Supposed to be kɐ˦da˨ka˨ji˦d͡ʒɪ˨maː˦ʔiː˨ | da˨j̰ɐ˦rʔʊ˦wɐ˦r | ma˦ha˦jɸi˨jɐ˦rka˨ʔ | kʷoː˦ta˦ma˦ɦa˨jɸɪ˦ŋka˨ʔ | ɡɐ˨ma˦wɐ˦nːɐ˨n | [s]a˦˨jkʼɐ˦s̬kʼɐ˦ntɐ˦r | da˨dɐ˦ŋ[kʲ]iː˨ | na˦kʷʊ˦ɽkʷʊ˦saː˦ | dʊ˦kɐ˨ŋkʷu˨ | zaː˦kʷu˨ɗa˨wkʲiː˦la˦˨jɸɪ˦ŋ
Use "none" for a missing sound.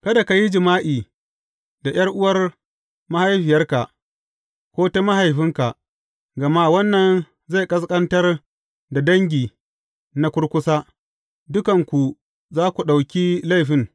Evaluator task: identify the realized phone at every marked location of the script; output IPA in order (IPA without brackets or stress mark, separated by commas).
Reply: z, ɡʲ